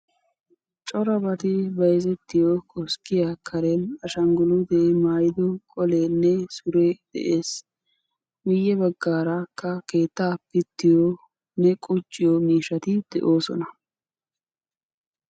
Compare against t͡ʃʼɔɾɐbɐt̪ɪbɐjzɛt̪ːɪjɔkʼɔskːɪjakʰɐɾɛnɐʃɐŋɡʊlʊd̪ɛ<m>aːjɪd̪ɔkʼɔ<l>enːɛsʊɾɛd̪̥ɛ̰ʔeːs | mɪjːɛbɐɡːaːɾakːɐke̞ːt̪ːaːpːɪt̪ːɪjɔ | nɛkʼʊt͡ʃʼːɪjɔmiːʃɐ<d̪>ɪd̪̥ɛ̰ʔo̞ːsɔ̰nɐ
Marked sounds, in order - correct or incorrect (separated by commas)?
correct, correct, incorrect